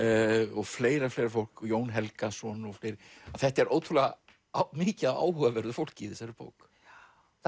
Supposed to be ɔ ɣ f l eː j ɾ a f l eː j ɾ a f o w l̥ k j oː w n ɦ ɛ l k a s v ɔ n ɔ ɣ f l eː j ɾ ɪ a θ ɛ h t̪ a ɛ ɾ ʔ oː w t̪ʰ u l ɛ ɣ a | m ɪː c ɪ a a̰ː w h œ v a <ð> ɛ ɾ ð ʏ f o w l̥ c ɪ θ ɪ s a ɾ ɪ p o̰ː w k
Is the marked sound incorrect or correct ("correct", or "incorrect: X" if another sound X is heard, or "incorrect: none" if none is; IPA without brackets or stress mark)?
incorrect: v